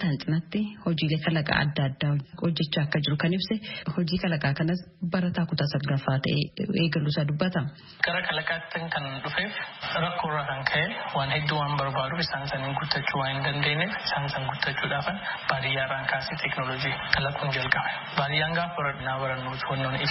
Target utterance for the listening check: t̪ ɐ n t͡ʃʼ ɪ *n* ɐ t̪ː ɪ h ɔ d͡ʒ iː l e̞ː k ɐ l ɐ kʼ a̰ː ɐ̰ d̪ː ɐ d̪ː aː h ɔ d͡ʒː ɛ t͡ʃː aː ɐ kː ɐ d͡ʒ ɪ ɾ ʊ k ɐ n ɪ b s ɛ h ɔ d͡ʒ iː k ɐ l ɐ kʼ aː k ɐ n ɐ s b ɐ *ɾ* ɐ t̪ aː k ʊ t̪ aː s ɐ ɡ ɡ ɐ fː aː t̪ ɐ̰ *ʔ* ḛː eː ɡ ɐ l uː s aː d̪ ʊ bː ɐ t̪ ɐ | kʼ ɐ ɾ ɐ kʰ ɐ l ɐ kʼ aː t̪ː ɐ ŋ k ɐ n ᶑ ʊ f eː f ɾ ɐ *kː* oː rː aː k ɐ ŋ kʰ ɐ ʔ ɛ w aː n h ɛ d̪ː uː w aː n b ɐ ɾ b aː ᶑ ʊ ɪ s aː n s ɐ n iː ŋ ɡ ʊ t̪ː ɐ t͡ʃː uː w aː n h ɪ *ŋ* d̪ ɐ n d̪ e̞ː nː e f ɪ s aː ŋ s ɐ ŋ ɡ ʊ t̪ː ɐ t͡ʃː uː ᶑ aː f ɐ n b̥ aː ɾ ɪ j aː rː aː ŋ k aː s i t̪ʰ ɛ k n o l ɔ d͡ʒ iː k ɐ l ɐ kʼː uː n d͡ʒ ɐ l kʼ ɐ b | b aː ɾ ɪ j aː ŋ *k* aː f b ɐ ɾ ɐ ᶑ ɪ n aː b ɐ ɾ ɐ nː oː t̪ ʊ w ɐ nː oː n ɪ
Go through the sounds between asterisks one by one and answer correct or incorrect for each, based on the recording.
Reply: correct, correct, correct, correct, incorrect: n, incorrect: ɡ

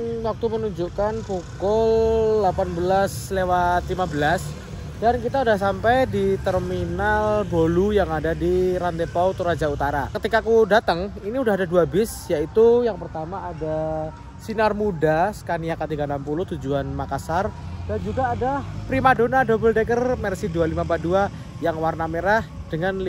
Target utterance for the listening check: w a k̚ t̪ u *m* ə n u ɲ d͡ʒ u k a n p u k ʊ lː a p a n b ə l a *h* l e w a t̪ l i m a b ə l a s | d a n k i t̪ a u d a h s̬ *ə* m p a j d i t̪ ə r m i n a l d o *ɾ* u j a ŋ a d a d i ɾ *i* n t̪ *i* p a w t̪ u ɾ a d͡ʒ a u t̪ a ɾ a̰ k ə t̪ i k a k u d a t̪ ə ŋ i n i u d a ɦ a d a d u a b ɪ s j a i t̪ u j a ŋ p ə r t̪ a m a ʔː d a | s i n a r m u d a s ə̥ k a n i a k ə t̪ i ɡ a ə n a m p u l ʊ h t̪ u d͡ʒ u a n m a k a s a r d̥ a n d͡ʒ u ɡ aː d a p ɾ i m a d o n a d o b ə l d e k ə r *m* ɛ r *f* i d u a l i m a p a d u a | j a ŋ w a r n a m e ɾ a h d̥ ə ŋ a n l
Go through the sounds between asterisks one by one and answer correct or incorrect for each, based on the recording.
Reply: correct, incorrect: s, incorrect: a, incorrect: l, incorrect: a, incorrect: e, correct, incorrect: s

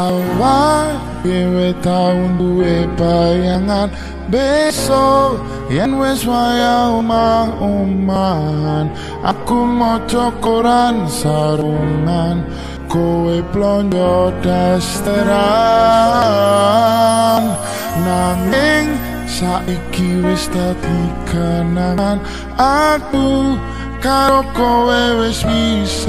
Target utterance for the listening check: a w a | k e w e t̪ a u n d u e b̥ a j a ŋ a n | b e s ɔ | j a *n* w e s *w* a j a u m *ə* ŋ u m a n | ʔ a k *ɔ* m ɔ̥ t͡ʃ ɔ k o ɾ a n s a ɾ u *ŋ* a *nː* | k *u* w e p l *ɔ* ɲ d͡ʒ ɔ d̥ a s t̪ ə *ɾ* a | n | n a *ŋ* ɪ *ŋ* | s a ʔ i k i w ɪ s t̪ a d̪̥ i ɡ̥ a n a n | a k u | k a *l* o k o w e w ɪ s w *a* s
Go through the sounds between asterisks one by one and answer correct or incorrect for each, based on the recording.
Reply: correct, correct, incorrect: a, incorrect: u, correct, incorrect: n, incorrect: o, correct, correct, correct, correct, incorrect: ɾ, incorrect: i

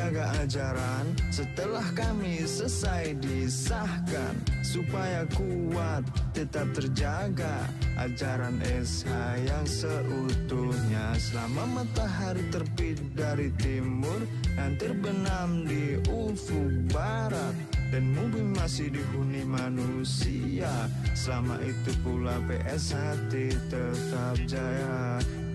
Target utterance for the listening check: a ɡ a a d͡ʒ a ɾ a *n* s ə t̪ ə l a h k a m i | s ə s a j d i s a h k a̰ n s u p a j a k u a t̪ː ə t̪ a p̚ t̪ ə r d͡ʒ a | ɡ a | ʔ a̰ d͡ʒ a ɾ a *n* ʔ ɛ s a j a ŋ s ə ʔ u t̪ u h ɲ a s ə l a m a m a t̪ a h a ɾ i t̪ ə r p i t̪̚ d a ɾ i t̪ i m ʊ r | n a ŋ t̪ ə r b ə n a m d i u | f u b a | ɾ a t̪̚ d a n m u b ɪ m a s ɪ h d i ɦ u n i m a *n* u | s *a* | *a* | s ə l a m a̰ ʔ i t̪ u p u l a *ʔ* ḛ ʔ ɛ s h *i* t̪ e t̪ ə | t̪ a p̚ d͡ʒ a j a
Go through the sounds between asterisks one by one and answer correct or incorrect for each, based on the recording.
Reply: correct, correct, correct, incorrect: i, correct, incorrect: p, incorrect: a

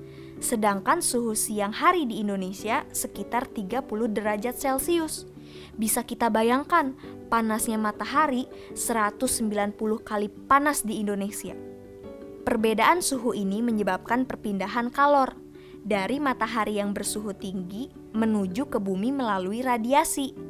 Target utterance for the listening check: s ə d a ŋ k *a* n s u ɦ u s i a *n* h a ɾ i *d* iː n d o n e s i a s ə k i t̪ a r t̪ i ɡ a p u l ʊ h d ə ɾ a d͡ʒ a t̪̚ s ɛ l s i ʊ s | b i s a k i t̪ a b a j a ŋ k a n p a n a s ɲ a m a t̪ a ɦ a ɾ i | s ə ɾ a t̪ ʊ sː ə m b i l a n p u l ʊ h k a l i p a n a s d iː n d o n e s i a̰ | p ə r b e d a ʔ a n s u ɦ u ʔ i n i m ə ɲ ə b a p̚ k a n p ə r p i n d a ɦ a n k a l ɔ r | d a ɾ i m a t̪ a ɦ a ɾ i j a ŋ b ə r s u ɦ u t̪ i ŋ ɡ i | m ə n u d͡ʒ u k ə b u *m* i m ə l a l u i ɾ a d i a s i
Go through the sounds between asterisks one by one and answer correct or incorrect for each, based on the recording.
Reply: correct, incorrect: ŋ, correct, correct

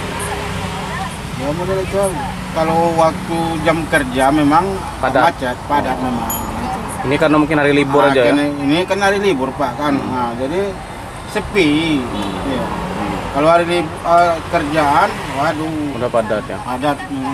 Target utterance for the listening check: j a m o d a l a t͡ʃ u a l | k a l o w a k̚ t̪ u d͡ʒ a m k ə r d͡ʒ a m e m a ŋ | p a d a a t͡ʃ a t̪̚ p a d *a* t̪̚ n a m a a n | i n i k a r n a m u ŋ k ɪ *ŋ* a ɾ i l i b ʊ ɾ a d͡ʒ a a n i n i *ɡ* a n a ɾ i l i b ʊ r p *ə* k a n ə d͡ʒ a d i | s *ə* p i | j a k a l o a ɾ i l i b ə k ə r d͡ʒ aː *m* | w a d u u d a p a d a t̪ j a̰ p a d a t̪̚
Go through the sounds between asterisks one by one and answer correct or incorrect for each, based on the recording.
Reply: correct, incorrect: n, incorrect: k, incorrect: a, correct, incorrect: n

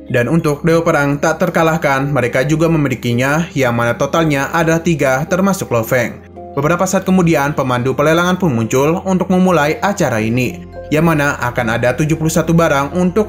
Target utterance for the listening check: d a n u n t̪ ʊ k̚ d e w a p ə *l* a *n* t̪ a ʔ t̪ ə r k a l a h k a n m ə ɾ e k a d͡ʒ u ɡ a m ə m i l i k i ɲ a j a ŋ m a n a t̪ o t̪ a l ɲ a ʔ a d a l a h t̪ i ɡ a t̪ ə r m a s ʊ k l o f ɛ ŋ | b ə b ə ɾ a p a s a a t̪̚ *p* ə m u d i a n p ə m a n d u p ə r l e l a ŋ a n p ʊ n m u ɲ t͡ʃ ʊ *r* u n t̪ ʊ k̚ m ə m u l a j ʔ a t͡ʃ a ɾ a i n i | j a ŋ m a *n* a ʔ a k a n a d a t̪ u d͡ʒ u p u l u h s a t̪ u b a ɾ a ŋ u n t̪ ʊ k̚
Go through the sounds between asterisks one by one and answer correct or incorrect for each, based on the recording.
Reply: incorrect: ɾ, incorrect: ŋ, incorrect: k, incorrect: l, correct

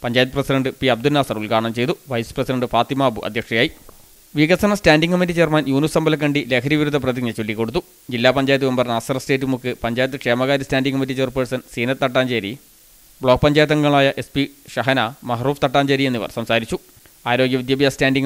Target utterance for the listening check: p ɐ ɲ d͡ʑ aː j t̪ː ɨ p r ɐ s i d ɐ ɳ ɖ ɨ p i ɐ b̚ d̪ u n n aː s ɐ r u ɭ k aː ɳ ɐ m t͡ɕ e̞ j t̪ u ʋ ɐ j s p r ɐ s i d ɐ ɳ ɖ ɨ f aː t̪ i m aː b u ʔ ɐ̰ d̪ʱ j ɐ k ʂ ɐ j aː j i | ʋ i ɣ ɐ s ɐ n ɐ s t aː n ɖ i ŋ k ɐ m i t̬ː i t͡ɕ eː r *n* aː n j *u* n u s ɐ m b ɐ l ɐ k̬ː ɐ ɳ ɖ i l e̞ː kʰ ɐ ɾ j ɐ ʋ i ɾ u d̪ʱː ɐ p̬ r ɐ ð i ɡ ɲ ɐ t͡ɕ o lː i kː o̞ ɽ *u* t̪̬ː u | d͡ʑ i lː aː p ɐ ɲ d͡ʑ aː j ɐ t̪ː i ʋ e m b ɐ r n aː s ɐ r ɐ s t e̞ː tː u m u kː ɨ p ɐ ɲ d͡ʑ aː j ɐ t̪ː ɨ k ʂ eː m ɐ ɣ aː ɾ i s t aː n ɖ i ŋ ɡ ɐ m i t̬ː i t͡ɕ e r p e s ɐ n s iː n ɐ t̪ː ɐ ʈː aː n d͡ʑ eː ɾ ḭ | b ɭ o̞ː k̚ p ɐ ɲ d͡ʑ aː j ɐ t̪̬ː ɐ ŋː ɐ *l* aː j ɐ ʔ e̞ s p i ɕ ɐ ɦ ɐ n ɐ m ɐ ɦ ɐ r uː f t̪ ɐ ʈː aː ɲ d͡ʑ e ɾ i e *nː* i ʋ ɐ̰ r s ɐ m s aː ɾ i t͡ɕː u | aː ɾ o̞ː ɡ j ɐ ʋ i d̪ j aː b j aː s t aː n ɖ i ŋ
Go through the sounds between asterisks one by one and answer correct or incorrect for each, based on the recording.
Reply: incorrect: m, incorrect: uː, correct, incorrect: ɭ, correct

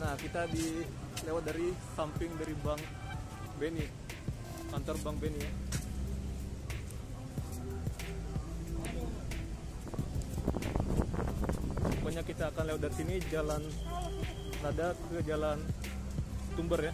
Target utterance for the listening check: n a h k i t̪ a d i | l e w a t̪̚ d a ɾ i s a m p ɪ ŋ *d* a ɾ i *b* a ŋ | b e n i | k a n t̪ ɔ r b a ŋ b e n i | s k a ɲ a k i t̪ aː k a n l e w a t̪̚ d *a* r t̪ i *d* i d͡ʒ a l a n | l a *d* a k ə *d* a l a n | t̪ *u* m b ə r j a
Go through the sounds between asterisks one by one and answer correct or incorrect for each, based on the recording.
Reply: correct, correct, correct, incorrect: n, correct, incorrect: d͡ʒ, correct

